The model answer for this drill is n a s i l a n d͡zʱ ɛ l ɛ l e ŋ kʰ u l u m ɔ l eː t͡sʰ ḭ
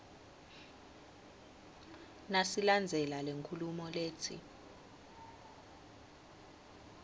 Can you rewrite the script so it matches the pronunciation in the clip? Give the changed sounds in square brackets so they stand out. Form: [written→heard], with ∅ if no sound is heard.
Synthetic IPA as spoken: n a s i l a n d͡zʱ ɛ l [ɛ→a] l e ŋ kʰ u l u m ɔ l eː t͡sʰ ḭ